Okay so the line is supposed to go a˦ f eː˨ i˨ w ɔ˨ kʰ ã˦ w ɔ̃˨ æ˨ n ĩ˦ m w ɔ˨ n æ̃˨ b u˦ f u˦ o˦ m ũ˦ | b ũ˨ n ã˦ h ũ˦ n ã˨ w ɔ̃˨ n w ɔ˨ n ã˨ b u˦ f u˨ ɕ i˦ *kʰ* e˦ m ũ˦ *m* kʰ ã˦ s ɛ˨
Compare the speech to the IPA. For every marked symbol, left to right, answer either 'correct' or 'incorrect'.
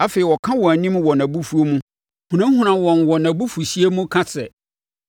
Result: incorrect, incorrect

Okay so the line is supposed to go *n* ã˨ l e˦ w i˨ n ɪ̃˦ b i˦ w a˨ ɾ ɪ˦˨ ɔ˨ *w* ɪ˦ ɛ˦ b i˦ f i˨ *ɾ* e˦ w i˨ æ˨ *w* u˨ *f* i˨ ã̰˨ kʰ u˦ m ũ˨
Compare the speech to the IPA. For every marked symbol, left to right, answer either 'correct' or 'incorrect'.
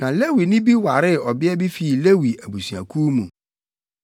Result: correct, incorrect, incorrect, incorrect, incorrect

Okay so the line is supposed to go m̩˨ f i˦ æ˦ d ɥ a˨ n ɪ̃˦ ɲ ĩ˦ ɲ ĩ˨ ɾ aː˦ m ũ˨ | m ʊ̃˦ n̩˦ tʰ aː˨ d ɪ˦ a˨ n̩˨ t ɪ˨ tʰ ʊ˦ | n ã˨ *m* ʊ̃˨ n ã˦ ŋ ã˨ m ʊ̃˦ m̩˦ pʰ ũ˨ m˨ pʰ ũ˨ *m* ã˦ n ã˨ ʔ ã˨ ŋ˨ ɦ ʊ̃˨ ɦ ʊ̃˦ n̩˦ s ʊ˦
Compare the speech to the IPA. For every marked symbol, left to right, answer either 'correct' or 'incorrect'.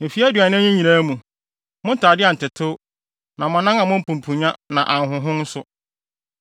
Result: correct, incorrect

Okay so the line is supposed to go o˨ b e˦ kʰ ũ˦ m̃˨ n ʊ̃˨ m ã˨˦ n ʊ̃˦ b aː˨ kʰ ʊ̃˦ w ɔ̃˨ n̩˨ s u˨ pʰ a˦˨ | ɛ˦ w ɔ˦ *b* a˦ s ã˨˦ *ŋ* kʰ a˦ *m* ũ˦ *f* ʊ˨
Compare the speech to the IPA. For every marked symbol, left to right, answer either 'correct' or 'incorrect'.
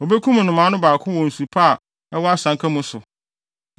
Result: incorrect, correct, correct, incorrect

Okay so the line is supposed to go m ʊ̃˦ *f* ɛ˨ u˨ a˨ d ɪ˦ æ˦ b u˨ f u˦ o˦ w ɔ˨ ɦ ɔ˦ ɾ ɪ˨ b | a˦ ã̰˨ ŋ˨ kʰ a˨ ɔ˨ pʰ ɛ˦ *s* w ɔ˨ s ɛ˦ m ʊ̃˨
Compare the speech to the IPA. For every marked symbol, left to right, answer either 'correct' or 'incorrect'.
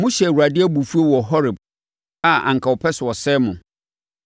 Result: incorrect, correct

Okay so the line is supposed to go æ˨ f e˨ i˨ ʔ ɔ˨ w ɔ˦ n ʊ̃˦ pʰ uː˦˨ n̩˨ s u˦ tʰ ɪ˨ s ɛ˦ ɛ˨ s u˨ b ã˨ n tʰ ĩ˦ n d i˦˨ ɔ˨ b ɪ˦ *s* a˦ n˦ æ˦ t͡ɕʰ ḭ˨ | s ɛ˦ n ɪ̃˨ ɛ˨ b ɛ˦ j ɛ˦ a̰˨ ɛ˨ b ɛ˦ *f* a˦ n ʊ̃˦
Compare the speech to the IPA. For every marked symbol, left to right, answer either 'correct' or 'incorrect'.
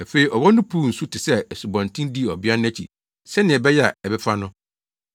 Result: incorrect, correct

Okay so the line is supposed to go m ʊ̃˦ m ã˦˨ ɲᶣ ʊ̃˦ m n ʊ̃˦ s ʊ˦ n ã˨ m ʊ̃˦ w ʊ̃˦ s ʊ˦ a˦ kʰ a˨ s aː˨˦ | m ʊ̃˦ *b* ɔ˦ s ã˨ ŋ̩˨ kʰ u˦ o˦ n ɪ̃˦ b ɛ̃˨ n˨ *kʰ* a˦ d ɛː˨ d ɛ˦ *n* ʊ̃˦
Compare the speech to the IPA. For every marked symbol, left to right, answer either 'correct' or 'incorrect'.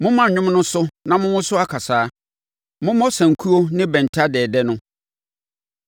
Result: incorrect, incorrect, correct

